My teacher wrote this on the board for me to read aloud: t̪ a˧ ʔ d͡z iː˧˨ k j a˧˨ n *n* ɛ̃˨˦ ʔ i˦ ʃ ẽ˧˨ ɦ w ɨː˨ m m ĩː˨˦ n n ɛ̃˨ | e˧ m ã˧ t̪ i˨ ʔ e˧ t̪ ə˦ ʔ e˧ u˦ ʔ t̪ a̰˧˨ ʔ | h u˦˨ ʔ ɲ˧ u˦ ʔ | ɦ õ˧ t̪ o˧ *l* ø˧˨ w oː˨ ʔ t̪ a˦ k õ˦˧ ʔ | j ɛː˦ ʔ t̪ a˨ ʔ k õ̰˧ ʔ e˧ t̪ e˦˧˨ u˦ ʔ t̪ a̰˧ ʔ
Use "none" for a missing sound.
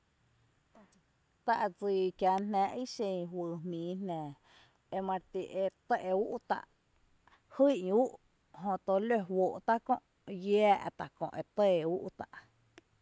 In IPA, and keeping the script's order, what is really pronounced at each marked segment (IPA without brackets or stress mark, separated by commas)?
n, l